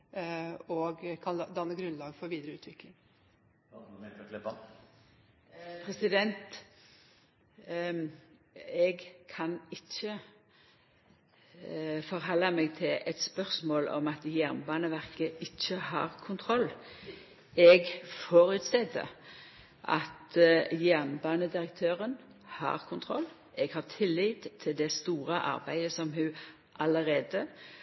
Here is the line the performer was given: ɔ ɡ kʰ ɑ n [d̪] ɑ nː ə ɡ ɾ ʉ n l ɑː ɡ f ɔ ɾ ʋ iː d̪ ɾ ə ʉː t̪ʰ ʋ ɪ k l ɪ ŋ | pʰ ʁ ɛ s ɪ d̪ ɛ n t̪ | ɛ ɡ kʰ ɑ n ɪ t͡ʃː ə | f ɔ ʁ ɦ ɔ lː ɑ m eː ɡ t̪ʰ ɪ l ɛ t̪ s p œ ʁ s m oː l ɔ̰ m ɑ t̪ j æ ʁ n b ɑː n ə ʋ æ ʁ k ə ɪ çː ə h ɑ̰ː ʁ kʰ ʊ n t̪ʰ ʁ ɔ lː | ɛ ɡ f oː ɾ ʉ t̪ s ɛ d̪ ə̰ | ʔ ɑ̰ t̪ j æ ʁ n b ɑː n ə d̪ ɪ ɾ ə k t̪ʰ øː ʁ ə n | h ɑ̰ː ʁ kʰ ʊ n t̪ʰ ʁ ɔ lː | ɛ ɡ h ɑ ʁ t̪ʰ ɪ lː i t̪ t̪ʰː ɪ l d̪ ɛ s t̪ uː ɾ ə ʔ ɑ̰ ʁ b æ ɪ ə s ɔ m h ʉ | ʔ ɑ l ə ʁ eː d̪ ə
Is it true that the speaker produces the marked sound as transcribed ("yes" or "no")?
yes